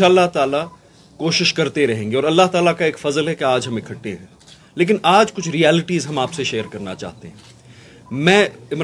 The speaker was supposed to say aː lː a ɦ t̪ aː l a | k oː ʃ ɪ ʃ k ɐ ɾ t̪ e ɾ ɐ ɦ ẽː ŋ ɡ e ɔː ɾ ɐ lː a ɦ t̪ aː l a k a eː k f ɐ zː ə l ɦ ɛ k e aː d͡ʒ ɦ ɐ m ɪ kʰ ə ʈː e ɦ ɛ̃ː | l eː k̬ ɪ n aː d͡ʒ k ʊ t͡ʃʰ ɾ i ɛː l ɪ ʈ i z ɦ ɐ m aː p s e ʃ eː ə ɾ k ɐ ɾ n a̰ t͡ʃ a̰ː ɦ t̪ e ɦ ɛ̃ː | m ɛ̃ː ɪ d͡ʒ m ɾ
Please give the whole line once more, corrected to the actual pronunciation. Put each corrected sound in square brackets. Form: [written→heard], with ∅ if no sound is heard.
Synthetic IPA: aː lː a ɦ t̪ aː l a | k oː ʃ ɪ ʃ k ɐ ɾ t̪ e ɾ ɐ ɦ ẽː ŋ ɡ e ɔː ɾ ɐ lː a ɦ t̪ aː l a k a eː k f ɐ [zː→z] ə l ɦ ɛ k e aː d͡ʒ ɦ ɐ m ɪ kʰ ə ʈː e ɦ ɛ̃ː | l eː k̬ ɪ n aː d͡ʒ k ʊ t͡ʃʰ ɾ i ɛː l ɪ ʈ i z ɦ ɐ m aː p s e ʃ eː ə ɾ k ɐ ɾ n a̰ t͡ʃ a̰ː ɦ t̪ e ɦ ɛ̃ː | m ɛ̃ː ɪ [d͡ʒ→∅] m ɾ